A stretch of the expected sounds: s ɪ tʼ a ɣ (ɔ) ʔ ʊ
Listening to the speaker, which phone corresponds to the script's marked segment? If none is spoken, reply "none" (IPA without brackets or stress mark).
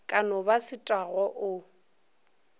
ɔ